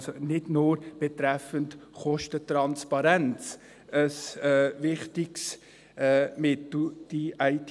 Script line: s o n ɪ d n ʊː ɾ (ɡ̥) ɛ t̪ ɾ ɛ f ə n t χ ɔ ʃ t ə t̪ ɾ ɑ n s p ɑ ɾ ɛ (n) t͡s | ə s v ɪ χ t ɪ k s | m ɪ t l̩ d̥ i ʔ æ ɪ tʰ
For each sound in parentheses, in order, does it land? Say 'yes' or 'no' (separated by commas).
no, yes